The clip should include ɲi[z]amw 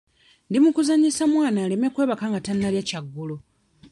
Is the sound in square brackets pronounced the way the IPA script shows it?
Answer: no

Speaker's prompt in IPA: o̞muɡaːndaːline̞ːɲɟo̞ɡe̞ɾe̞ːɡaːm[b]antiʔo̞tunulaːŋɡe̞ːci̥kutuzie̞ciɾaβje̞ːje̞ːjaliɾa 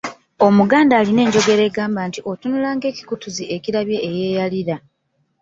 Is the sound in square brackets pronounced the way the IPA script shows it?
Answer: yes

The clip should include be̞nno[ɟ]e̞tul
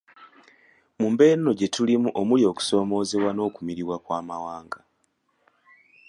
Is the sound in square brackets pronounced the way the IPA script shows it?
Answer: yes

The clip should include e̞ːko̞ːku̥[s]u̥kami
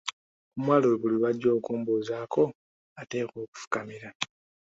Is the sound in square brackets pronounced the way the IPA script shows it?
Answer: no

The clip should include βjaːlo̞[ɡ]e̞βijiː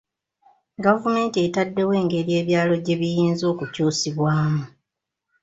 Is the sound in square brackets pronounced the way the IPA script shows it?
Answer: no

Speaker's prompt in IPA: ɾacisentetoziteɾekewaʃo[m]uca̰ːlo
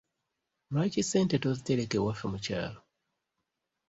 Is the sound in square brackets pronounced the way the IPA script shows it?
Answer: yes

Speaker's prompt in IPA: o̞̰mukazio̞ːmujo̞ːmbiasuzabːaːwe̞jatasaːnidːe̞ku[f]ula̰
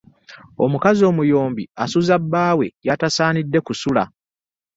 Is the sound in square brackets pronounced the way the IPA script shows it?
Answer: no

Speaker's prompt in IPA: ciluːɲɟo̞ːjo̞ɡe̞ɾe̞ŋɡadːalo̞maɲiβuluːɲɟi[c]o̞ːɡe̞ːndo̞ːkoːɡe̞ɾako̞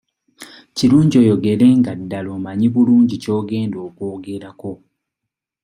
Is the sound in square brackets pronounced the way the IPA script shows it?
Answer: yes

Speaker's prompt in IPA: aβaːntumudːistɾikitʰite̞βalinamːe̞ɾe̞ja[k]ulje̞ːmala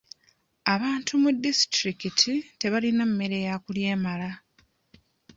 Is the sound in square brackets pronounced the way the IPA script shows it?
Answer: yes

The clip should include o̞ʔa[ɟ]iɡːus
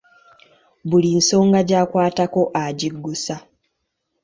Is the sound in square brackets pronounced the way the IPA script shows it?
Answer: yes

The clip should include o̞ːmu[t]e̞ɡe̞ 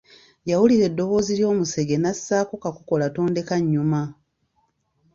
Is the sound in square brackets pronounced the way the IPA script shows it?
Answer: no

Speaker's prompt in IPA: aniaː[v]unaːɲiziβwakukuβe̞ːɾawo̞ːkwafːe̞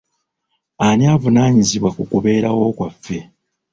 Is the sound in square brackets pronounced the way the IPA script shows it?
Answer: yes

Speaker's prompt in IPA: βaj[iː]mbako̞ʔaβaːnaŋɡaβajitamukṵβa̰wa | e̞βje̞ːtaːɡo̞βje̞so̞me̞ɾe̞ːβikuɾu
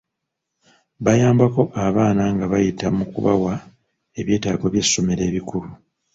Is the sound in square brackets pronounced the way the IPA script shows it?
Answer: no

